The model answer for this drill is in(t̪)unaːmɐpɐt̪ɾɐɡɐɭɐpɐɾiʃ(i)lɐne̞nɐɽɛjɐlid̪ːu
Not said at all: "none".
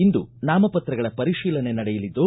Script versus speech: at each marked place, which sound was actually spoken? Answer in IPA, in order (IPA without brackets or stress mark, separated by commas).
d̪, iː